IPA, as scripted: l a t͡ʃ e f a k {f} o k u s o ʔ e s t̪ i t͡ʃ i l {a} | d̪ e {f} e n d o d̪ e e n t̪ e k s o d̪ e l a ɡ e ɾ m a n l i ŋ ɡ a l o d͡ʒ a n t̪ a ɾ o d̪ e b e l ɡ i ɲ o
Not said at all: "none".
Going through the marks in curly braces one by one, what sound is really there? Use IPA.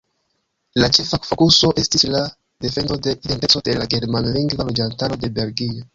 f, a, f

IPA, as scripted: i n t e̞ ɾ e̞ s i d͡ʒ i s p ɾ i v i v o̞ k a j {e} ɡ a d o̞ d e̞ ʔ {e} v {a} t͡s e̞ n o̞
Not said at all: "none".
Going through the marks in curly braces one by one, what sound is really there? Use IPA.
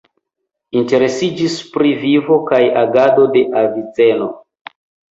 a, a, i

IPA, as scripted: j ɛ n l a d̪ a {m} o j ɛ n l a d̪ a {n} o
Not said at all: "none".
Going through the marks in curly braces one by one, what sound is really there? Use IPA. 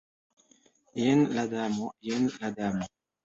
m, m

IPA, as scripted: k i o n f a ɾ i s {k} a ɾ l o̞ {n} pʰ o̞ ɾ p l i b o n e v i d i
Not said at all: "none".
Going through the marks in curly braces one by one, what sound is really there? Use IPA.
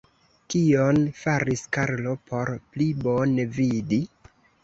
k, none

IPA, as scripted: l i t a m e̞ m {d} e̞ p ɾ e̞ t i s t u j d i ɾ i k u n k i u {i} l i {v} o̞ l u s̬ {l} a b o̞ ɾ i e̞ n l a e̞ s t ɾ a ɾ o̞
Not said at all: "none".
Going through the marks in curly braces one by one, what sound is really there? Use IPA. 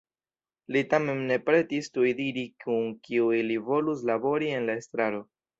n, i, v, l

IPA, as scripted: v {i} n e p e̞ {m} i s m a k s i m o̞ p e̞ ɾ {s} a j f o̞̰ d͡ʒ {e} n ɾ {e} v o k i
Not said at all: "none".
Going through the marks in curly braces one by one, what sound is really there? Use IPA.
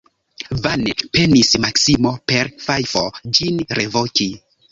a, n, f, i, e

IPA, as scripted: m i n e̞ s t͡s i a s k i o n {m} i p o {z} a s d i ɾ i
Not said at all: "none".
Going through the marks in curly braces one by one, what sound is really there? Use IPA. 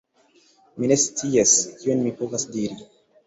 m, v

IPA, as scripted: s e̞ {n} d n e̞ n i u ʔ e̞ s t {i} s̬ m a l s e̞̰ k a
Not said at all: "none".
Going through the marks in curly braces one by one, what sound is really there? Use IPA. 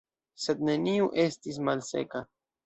none, i

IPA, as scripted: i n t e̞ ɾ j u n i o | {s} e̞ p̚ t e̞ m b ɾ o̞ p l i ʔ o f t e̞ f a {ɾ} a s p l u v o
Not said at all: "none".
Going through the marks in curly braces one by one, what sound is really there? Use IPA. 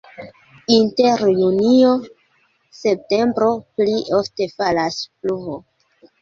s, l

